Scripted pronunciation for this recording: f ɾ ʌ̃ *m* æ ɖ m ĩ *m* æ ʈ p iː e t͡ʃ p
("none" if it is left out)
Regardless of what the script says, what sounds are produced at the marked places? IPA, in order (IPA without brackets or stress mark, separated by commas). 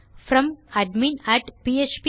m, n